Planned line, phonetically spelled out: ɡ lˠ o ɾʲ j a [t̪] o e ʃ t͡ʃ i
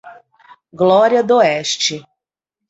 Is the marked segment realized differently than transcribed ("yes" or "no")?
yes